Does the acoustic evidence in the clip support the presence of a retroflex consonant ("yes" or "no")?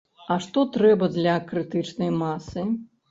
yes